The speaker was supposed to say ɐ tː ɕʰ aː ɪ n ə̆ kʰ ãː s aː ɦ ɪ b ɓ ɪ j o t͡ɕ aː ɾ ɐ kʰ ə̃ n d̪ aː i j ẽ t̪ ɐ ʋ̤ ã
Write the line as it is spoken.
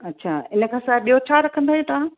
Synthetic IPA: ɐ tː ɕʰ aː ɪ n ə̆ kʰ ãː s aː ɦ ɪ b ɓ i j o t͡ɕʰ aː ɾ ɐ kʰ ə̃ n d̪ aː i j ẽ t̪ ɐ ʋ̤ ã